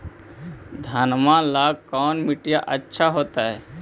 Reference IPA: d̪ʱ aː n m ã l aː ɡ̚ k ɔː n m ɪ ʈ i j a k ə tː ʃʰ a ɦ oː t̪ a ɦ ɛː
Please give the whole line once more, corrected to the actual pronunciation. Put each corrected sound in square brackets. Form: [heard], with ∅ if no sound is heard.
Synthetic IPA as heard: d̪ʱ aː n m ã l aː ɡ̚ k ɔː n m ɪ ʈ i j a [ʔ] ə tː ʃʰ a ɦ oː t̪ a ɦ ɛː